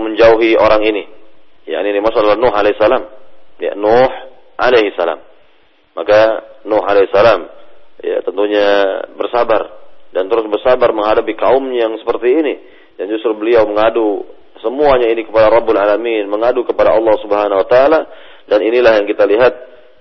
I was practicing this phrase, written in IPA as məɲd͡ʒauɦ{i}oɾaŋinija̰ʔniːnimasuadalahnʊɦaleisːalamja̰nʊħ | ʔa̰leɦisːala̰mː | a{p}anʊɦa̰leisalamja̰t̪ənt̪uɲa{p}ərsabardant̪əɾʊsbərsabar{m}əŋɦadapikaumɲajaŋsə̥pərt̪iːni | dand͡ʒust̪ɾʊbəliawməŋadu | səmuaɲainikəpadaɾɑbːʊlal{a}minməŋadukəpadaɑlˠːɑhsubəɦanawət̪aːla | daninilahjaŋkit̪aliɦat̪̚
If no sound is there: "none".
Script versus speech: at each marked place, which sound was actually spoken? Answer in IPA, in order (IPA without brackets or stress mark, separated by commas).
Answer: i, k, b, m, a